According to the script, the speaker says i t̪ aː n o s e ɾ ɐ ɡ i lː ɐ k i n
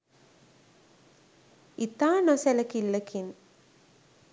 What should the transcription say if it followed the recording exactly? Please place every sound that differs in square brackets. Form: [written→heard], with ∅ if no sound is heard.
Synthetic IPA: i t̪ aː n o s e [ɾ→l] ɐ [ɡ→k] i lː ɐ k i n